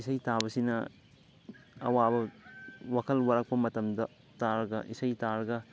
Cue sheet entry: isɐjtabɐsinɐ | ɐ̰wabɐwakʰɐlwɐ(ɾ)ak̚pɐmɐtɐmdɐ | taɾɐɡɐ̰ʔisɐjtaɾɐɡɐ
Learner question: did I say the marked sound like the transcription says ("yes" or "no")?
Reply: yes